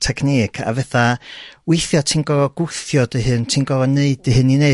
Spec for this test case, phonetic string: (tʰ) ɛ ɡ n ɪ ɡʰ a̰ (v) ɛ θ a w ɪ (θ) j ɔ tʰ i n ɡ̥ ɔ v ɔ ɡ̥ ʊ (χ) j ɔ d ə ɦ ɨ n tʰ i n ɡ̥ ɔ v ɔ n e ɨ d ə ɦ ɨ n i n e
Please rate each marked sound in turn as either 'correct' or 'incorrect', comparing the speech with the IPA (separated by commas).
correct, correct, correct, incorrect